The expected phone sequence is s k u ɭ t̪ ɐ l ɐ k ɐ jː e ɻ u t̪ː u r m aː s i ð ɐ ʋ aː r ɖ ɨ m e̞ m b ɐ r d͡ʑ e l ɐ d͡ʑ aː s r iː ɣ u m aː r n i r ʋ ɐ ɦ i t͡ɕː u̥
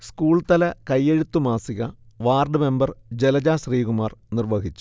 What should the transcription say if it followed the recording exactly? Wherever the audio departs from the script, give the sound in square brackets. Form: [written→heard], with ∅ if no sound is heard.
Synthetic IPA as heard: s k [u→uː] ɭ t̪ ɐ l ɐ k ɐ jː e ɻ u t̪ː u [r→∅] m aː s i [ð→ɣ] ɐ ʋ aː r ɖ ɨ m e̞ m b ɐ r d͡ʑ e l ɐ d͡ʑ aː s r iː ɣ u m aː r n i r ʋ ɐ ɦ i t͡ɕː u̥